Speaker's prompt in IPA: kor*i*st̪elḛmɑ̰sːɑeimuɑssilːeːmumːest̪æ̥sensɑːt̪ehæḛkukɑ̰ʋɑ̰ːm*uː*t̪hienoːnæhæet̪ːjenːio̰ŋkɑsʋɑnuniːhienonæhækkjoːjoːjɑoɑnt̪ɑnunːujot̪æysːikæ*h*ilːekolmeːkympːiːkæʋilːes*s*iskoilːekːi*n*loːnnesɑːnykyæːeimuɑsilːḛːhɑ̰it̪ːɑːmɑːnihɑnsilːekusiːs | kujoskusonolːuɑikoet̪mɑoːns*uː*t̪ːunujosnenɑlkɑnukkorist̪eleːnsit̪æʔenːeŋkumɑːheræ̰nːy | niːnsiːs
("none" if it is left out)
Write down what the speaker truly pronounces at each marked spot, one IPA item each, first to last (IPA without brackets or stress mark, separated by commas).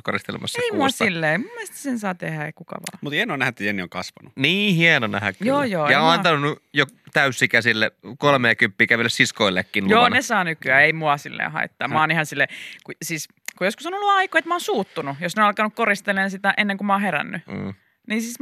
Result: i, u, s, s, n, uː